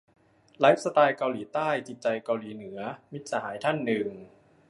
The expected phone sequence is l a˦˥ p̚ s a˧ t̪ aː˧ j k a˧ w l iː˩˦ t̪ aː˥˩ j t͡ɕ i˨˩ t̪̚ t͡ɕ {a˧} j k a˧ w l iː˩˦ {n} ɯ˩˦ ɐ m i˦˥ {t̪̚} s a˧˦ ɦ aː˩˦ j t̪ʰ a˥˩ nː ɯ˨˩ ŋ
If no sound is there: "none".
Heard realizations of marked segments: a˧, n, t̪̚

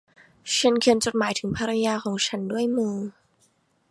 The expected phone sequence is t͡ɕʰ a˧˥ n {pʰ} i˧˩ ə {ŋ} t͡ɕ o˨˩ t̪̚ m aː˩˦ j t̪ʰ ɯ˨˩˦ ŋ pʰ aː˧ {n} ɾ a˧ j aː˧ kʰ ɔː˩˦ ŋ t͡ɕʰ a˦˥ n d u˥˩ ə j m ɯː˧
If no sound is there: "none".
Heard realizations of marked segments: kʰ, n, none

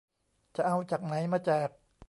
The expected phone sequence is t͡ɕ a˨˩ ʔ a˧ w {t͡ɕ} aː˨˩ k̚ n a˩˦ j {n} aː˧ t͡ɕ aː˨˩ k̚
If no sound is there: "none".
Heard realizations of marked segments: t͡ɕ, m

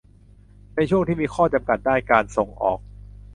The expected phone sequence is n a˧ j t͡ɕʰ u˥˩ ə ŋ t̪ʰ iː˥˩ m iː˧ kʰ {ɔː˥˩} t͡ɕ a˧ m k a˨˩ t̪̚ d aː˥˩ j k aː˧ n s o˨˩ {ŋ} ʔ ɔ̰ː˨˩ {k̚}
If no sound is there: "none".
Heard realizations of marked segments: ɔː˥˩, ŋ, k̚

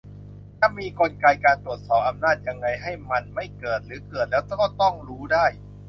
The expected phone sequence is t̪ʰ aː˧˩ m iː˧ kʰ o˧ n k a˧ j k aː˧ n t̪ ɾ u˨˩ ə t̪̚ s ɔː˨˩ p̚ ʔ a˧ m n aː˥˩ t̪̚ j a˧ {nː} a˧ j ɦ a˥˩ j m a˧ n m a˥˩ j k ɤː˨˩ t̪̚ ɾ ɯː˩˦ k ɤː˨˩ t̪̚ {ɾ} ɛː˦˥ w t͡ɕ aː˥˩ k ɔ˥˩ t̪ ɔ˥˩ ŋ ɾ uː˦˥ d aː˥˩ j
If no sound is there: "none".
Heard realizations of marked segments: ŋː, l

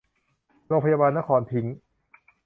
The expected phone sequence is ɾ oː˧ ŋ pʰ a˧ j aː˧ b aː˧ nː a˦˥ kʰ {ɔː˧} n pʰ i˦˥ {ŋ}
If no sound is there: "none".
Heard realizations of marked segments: ɔː˧, ŋ

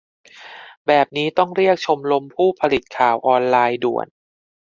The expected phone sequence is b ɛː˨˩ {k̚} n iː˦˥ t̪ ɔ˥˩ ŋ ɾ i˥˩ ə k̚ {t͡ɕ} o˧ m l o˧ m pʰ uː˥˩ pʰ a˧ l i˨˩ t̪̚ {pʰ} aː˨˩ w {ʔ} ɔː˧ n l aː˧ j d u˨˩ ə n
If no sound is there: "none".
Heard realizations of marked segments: p̚, t͡ɕʰ, kʰ, ʔ

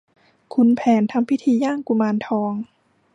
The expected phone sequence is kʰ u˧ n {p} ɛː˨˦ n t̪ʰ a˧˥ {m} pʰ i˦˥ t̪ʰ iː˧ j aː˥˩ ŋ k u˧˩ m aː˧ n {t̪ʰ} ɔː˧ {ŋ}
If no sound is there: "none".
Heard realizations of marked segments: pʰ, m, t̪ʰ, ŋ

